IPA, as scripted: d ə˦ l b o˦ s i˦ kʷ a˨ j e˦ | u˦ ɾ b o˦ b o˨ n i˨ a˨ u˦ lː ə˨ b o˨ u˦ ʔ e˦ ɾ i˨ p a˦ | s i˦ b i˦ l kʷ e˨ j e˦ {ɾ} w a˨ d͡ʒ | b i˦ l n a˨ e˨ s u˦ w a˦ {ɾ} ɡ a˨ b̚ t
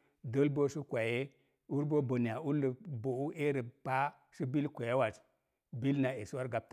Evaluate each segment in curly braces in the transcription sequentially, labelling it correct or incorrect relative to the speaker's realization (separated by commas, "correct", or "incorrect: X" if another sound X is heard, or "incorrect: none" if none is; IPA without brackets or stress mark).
incorrect: none, correct